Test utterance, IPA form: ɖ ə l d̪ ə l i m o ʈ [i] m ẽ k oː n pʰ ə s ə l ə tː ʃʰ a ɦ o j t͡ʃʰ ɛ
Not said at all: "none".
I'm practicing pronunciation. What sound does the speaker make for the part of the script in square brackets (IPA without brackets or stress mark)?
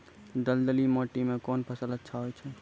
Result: i